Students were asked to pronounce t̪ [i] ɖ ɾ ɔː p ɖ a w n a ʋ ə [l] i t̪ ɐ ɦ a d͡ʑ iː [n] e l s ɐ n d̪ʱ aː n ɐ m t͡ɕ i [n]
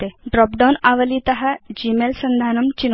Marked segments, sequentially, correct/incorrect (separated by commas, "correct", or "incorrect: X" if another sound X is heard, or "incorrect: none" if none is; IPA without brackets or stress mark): incorrect: e, correct, incorrect: m, correct